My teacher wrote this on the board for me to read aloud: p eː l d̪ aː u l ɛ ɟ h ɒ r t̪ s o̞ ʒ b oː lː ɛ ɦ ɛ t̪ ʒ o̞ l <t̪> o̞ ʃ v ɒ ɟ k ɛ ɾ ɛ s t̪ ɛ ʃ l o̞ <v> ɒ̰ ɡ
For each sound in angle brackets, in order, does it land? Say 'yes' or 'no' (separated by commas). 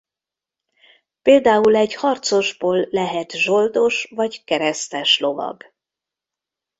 no, yes